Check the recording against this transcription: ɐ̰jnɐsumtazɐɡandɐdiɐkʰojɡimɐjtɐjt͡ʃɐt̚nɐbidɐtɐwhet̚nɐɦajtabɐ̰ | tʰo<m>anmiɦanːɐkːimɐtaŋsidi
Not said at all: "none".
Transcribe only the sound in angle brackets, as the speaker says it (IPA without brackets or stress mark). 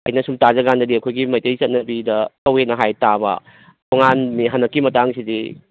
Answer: ŋ